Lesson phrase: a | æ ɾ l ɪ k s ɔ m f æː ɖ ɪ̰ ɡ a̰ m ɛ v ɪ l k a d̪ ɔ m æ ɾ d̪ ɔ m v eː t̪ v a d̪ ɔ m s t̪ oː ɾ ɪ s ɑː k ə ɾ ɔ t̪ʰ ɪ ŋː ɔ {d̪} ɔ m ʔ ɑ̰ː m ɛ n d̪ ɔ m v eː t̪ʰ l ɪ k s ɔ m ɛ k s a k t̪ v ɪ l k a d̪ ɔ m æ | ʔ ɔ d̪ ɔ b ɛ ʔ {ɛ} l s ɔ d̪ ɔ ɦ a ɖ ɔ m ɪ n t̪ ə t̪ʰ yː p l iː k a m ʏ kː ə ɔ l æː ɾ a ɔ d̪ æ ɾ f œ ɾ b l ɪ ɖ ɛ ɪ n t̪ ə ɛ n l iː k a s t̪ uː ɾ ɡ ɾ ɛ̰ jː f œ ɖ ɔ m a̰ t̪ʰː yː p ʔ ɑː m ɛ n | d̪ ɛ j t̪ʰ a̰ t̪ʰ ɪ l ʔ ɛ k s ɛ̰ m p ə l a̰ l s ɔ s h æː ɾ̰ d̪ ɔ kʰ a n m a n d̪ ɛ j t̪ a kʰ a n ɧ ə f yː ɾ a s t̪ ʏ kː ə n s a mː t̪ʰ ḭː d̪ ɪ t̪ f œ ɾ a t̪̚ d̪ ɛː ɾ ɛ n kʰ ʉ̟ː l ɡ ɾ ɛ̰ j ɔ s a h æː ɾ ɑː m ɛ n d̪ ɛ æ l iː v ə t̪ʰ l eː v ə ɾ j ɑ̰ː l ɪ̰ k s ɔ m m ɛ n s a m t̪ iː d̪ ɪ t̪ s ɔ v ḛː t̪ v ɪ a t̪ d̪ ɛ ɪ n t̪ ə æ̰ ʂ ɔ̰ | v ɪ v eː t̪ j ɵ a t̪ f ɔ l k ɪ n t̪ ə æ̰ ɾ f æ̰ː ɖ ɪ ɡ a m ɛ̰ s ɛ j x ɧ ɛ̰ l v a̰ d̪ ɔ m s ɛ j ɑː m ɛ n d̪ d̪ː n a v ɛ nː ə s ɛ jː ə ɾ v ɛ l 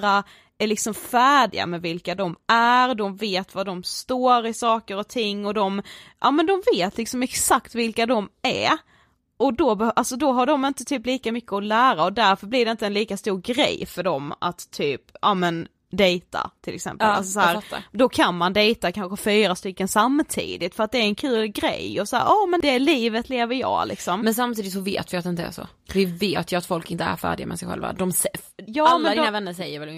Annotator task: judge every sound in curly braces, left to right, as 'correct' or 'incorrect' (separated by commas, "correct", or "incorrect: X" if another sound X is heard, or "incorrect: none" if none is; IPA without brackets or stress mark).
correct, incorrect: a